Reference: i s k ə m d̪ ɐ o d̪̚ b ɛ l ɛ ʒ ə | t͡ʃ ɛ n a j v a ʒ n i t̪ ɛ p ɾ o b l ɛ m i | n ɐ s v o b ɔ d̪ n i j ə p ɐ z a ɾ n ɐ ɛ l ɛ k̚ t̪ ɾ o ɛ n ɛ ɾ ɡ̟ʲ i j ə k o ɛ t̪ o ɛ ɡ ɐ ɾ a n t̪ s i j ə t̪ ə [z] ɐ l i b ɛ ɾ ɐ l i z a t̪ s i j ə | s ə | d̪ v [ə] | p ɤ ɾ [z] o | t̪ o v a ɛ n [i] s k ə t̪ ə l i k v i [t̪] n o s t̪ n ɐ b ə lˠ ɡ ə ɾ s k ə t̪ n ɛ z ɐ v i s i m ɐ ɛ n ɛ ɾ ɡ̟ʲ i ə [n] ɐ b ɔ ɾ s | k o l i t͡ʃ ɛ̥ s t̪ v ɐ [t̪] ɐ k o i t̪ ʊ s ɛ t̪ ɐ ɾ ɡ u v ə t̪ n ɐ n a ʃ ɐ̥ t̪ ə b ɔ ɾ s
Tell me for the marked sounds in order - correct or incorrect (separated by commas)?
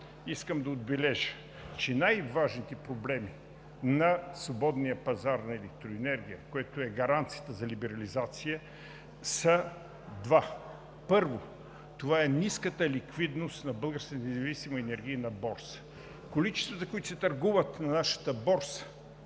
correct, incorrect, incorrect, correct, incorrect, correct, correct